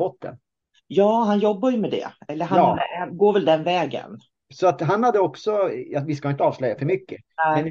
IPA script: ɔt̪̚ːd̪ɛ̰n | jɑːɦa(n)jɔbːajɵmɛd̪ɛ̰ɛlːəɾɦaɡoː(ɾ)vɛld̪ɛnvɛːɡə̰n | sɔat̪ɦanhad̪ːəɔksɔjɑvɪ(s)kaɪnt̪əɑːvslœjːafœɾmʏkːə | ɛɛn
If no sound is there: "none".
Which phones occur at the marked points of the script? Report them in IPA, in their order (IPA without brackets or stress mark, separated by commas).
n, ɾ, s